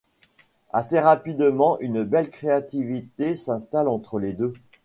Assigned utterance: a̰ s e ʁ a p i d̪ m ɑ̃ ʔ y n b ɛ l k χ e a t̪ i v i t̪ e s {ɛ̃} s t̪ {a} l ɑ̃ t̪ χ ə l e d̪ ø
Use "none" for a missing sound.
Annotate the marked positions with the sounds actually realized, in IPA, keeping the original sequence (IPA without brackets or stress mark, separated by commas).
ɛ̃, a